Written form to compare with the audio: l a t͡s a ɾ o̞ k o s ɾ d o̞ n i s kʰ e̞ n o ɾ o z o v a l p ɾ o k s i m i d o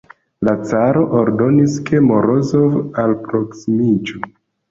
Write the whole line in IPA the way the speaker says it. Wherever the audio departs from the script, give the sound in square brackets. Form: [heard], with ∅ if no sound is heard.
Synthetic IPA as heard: l a t͡s a ɾ o̞ [ʔ] o [∅] ɾ d o̞ n i s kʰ e̞ [m] o ɾ o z o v a l p ɾ o k s i m i [d͡ʒ] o